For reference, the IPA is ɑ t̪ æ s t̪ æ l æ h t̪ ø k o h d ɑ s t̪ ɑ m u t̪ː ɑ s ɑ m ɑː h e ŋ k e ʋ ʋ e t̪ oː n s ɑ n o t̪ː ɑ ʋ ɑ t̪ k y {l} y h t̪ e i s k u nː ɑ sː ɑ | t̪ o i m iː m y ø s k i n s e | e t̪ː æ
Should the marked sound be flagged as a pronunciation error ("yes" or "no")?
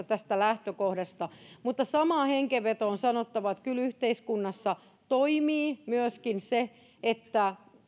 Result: no